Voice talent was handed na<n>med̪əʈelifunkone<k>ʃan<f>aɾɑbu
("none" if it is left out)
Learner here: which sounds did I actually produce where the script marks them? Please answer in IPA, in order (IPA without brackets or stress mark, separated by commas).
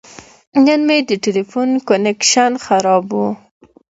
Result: n, k, x